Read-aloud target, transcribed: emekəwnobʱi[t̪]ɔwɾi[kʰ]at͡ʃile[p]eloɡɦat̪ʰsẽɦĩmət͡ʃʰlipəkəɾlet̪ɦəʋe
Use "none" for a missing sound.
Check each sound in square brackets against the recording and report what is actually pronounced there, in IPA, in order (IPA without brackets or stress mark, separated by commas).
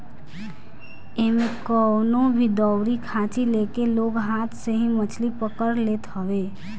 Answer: d̪, kʰ, k